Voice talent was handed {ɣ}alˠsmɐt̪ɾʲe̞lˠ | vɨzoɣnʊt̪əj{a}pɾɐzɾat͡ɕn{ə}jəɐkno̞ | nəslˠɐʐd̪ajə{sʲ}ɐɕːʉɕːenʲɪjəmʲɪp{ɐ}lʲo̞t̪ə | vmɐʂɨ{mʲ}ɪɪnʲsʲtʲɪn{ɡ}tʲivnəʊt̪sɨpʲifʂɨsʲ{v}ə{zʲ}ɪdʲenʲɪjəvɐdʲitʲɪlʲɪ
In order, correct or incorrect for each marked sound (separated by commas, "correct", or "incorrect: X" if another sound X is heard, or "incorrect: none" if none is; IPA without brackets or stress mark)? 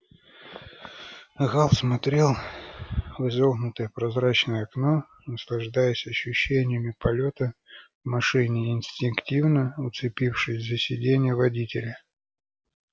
correct, incorrect: ə, correct, correct, correct, incorrect: nʲ, incorrect: k, incorrect: z, incorrect: sʲ